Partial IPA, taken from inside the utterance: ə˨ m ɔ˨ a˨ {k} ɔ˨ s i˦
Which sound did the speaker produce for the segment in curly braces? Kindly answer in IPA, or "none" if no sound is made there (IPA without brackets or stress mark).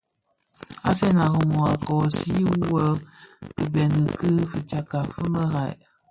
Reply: k